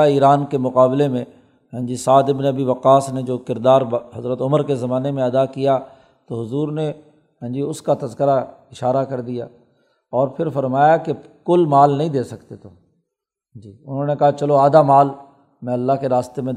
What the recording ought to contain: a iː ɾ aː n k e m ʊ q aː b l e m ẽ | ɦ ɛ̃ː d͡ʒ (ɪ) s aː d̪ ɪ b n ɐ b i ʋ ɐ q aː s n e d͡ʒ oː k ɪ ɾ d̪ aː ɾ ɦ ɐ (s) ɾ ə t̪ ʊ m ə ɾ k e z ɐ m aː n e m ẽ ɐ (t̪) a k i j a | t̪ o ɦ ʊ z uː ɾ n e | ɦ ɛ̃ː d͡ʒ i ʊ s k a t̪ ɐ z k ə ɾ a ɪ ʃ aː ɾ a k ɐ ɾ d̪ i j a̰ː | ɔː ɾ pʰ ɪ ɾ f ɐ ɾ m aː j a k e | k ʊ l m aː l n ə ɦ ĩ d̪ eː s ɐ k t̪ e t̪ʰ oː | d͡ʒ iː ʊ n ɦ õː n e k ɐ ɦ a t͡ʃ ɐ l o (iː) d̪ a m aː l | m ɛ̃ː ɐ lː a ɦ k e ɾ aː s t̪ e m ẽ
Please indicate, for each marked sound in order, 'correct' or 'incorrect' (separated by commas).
incorrect, incorrect, incorrect, incorrect